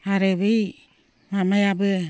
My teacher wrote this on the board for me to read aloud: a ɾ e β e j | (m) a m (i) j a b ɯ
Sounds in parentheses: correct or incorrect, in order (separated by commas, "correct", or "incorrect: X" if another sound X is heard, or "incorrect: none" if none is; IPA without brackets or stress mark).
correct, incorrect: a